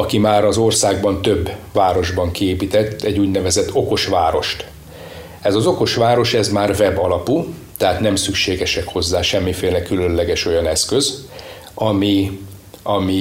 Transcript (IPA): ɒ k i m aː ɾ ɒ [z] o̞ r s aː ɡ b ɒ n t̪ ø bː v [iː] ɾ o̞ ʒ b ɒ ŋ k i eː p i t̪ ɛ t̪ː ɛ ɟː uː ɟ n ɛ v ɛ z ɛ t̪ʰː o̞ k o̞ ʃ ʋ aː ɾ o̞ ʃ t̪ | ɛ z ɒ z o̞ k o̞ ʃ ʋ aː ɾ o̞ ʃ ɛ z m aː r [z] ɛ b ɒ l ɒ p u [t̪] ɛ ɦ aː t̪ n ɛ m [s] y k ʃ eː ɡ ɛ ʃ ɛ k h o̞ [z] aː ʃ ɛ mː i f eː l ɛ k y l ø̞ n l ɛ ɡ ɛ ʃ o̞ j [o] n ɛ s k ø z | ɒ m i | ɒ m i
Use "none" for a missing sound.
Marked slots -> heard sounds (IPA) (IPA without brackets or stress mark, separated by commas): z, aː, v, t̪, s, zː, ɒ